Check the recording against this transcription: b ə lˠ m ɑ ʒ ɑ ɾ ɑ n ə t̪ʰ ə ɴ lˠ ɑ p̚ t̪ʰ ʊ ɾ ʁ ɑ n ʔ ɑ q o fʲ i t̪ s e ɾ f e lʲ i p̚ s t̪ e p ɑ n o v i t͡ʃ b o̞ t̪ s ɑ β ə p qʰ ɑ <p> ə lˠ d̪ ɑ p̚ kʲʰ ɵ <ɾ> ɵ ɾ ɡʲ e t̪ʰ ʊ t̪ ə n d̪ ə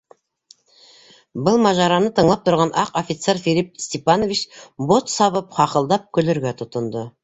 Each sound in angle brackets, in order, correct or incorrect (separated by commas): incorrect, incorrect